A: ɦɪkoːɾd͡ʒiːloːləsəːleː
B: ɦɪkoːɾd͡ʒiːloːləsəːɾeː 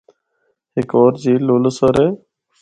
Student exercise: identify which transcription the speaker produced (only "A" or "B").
B